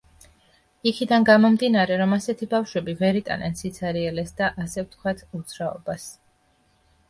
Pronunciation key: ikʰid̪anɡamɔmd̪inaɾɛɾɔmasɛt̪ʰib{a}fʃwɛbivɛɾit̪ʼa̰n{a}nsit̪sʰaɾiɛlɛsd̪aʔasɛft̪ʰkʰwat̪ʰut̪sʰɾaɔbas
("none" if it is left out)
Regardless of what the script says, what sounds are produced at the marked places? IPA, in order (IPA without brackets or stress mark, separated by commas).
a, ɛ